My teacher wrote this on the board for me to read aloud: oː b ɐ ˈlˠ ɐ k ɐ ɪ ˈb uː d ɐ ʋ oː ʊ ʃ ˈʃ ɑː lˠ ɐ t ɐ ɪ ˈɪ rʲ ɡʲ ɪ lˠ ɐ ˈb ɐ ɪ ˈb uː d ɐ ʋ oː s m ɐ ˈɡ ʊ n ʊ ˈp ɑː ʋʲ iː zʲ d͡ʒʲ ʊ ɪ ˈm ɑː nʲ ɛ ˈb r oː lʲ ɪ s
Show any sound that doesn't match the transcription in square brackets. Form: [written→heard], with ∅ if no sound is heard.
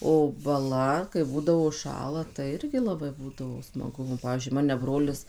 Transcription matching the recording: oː b ɐ ˈlˠ ɐ k ɐ ɪ ˈb uː d ɐ ʋ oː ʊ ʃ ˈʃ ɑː lˠ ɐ t ɐ ɪ ˈɪ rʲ ɡʲ ɪ lˠ ɐ ˈb ɐ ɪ ˈb uː d ɐ ʋ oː s m ɐ ˈɡ ʊ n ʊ ˈp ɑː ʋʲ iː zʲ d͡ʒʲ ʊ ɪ ˈm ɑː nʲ ɛ ˈb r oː lʲ ɪ s